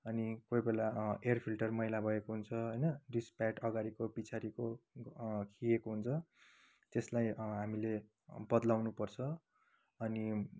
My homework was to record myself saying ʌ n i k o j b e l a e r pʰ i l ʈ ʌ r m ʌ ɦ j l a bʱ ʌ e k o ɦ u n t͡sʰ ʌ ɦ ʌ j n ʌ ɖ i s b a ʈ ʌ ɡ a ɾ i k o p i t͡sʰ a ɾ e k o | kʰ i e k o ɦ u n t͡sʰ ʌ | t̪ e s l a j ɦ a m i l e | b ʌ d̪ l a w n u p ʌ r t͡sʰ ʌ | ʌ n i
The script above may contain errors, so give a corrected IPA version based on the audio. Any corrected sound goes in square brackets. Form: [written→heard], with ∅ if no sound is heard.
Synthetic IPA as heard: ʌ n i k o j b e l a e r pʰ i l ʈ ʌ r m ʌ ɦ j l a bʱ ʌ e k o ɦ u n t͡sʰ ʌ ɦ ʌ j n ʌ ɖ i s [b→p] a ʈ ʌ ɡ a ɾ i k o p i t͡sʰ a ɾ [e→i] k o | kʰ i e k o ɦ u n t͡sʰ ʌ | t̪ e s l a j ɦ a m i l e | b ʌ d̪ l a w n u p ʌ r t͡sʰ ʌ | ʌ n i

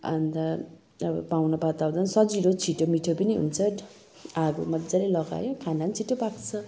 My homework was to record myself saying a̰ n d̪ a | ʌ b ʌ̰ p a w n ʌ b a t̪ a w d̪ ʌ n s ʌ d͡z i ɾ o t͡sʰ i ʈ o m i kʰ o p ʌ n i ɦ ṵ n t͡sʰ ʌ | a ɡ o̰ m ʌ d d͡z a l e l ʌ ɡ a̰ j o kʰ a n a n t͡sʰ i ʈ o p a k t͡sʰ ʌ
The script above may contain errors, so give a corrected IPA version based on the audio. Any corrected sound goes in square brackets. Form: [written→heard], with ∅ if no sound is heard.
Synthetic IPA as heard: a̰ n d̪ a | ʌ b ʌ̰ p a w n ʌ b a t̪ a w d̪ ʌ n s ʌ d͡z i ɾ o t͡sʰ i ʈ o m i [kʰ→ʈʰ] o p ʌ n i ɦ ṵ n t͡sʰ ʌ | a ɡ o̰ m ʌ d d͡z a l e l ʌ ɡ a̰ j o kʰ a n a n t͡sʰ i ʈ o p a k t͡sʰ ʌ

